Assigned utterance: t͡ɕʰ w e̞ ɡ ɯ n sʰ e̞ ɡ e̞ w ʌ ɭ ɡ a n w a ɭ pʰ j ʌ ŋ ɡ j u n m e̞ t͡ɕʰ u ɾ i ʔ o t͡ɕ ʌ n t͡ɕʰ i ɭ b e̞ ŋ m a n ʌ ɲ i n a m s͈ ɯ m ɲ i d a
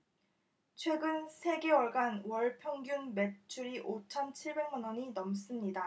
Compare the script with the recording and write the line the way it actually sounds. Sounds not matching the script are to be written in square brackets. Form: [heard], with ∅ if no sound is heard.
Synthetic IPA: t͡ɕʰ w e̞ ɡ ɯ n sʰ e̞ ɡ e̞ w ʌ ɭ ɡ a n w [ʌ] ɭ pʰ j ʌ ŋ ɡ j u n m e̞ t͡ɕʰ u ɾ i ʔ o [t͡ɕʰ] ʌ n t͡ɕʰ i ɭ b e̞ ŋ m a n ʌ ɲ i n [ʌ] m s͈ ɯ m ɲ i d a